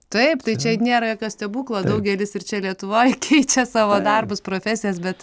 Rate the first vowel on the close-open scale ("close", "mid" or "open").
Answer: open